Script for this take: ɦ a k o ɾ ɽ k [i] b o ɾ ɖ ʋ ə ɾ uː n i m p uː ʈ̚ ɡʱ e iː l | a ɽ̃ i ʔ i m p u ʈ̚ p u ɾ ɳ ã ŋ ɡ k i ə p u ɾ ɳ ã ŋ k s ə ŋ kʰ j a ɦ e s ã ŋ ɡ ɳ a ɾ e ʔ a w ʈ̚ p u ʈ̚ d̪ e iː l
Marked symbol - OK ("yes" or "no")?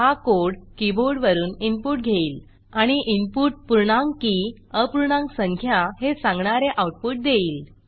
yes